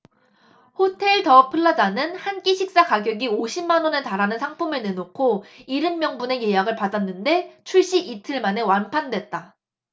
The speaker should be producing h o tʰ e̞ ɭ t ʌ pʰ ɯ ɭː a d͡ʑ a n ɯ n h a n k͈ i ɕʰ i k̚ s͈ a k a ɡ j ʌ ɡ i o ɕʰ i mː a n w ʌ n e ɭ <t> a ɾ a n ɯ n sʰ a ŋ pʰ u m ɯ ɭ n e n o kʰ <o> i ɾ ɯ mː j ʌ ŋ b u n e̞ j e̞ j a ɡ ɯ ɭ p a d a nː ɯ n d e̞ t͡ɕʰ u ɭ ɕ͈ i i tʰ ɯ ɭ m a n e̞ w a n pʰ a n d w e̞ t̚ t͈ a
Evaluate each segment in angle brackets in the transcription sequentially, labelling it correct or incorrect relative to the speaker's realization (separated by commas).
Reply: correct, correct